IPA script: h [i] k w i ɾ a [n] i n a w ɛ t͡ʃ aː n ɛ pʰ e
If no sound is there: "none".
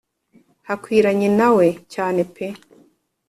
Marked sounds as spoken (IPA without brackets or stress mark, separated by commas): a, ɲ